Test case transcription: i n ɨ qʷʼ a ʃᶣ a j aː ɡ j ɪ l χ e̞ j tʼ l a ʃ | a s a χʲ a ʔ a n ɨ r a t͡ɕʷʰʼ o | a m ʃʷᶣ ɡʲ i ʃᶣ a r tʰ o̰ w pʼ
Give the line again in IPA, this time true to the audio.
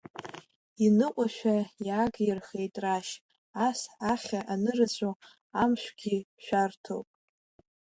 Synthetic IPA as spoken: i n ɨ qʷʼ a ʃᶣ a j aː ɡ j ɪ r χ e̞ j tʼ r a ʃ | a s a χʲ a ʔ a n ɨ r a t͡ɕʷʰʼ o | a m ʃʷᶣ ɡʲ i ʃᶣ a r tʰ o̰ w pʼ

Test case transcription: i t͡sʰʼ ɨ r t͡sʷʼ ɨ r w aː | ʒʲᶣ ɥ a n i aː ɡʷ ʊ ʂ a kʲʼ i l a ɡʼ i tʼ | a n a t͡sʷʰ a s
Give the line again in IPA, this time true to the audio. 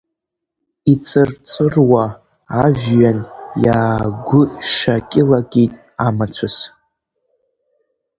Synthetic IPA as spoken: i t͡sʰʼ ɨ r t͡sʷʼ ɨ r w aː | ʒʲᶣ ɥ a n j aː ɡʷ ʊ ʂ a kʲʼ ɪ l a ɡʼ i tʼ | a m a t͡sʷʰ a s

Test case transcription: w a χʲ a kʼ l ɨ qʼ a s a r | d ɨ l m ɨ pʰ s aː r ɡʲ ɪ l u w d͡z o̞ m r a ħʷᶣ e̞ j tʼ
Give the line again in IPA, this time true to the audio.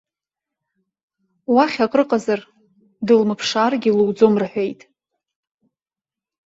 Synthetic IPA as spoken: w a χʲ a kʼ r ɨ qʼ a z a r | d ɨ l m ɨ pʰ ʂ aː r ɡʲ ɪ l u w d͡z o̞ m r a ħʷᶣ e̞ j tʼ

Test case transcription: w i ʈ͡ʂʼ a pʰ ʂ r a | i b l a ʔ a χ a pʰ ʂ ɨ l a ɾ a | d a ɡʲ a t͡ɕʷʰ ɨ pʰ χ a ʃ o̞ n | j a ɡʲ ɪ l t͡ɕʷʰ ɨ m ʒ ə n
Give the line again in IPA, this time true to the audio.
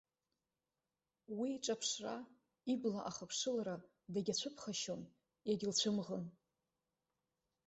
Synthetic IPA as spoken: w i ʈ͡ʂʼ a pʰ ʂ r a | i b l a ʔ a χ a pʰ ʂ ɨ l a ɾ a | d a ɡʲ a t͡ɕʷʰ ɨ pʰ χ a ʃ o̞ n | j a ɡʲ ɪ l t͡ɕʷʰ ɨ m ʁ ə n

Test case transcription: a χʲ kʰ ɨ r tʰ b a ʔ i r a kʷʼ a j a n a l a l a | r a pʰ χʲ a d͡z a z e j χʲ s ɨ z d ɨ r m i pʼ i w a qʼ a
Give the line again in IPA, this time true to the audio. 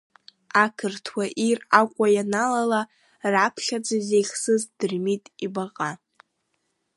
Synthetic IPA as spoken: a kʰ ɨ r tʰ w a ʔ i r a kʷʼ a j a n a l a l a | r a pʰ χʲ a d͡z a z e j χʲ s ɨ z d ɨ r m i tʼ i b a qʼ a

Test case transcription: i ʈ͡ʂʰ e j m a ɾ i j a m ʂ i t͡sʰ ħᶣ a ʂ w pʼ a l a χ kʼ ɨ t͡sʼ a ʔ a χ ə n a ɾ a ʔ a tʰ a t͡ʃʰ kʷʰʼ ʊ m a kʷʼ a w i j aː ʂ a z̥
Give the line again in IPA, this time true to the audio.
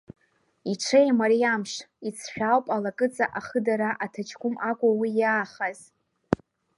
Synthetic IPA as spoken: i ʈ͡ʂʰ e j m a ɾ i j a m ʂ i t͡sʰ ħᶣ a w pʼ a l a kʼ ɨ t͡sʼ a ʔ a χ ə d a ɾ a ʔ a tʰ a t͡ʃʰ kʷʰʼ ʊ m a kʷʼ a w i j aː χ a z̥

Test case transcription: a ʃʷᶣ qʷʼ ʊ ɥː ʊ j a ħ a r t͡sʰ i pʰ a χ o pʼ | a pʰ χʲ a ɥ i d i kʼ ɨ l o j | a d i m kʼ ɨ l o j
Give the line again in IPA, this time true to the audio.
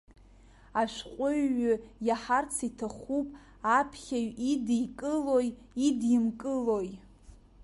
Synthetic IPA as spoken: a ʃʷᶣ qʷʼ ʊ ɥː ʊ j a ħ a r t͡sʰ i tʰ a χ u pʼ | a pʰ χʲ a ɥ i d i kʼ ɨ l o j | i d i m kʼ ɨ l o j

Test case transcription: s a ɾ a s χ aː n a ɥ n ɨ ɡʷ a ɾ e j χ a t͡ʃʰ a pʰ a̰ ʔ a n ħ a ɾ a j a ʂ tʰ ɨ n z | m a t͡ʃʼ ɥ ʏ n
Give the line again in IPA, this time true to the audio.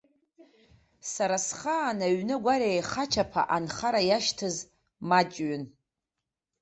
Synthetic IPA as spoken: s a ɾ a s χ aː n a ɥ n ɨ ɡʷ a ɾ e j χ a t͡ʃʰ a pʰ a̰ ʔ a n χ a ɾ a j a ʃ tʰ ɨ z | m a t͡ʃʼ ɥ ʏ n

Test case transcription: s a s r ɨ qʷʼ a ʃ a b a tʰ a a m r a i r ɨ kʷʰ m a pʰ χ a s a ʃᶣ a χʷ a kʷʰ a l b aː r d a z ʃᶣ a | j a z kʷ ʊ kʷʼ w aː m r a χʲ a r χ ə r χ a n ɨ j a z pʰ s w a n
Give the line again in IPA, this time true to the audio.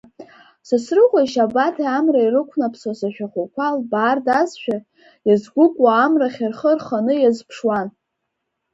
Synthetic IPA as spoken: s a s r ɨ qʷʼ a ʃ a b a tʰ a a m r a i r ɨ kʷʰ n a pʰ s a s a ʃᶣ a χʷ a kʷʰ a l b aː r d a z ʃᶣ a | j a z ɡʷ ʊ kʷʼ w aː m r a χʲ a r χ ə r χ a n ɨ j a z pʰ ʂ w a n

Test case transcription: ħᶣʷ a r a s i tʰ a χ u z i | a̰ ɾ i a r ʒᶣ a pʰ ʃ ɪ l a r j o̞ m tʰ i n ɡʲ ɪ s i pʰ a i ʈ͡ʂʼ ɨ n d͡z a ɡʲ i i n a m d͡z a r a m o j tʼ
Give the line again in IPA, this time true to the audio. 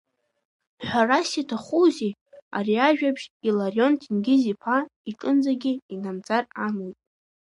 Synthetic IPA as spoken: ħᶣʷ a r a s i tʰ a χ u z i | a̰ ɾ i a ʒᶣ a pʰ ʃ i l a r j o̞ n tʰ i n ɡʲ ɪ z i pʰ a i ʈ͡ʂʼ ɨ n d͡z a ɡʲ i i n a m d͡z a r a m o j tʼ

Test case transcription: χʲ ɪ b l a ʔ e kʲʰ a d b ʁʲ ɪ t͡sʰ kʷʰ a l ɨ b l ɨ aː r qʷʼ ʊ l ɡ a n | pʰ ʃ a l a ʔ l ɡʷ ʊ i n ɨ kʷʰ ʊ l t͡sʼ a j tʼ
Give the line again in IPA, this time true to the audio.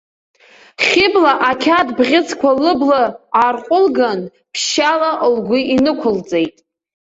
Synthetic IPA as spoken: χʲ ɪ b l a ʔ a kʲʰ a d b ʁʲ ɪ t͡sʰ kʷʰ a l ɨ b l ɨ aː r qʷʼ ʊ l ɡ a n | pʰ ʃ a l a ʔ l ɡʷ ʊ i n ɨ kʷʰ ʊ l t͡sʼ e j tʼ

